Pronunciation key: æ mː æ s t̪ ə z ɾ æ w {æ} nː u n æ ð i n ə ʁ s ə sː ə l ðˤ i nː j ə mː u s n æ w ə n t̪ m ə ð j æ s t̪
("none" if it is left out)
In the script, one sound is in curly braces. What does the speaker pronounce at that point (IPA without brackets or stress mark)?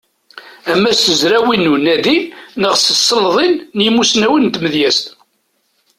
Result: i